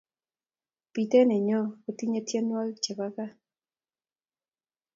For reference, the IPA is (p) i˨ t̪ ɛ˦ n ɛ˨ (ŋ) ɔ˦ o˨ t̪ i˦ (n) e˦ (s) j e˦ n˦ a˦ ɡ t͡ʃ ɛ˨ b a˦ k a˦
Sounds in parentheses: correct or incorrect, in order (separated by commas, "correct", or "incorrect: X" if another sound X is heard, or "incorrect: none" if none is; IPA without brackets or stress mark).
correct, incorrect: ɲ, incorrect: ɲ, incorrect: t